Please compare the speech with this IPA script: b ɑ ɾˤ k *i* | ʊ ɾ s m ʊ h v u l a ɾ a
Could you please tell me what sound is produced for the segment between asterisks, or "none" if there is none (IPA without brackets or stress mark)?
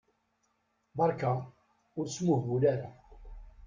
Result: a